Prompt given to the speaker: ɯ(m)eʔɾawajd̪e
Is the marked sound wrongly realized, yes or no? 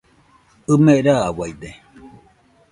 no